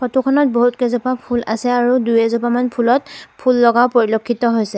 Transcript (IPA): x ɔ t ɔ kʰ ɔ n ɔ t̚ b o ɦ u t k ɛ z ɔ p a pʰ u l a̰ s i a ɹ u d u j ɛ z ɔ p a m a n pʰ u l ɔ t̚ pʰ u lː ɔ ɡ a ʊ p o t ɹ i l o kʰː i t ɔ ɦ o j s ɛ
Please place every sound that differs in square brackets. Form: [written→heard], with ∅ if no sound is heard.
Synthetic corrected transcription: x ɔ t [ɔ→u] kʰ ɔ n ɔ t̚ b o ɦ u t k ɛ z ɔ p a pʰ u l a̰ s [i→ɛ] a ɹ u d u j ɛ z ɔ p a m a n pʰ u l ɔ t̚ pʰ u lː ɔ ɡ a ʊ p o [t→∅] ɹ i l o kʰː i t ɔ ɦ o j s ɛ